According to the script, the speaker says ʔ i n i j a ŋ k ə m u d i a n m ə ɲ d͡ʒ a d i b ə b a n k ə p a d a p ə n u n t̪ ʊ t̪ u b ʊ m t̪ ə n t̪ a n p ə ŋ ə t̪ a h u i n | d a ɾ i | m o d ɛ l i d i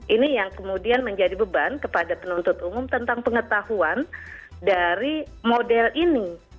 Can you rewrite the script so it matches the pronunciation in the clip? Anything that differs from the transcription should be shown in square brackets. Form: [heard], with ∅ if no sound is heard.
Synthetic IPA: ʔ i n i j a ŋ k ə m u d i a n m ə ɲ d͡ʒ a d i b ə b a n k ə p a d a p ə n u n t̪ ʊ t̪ u [m] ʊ m t̪ ə n t̪ a [ŋ] p ə ŋ ə t̪ a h u [a] n | d a ɾ i | m o d ɛ l i [n] i